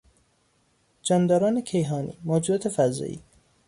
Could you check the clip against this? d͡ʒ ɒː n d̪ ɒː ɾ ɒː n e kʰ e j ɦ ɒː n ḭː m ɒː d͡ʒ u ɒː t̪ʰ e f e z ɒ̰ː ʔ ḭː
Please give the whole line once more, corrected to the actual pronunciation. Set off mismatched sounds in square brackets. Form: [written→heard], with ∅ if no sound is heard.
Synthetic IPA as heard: d͡ʒ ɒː n d̪ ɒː ɾ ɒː n e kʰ e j ɦ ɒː n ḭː m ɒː d͡ʒ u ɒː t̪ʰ e f [e→æ] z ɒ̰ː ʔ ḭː